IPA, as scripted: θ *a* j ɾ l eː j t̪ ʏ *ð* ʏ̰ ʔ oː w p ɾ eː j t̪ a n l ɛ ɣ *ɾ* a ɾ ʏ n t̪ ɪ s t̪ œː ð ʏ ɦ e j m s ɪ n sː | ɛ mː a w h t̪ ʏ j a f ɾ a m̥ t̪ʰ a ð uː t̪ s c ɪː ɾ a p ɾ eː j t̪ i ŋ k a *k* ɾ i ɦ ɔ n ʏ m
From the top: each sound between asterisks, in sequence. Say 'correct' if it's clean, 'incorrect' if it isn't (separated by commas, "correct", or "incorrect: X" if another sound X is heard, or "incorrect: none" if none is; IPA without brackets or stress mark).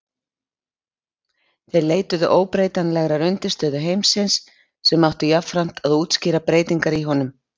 incorrect: e, correct, correct, incorrect: none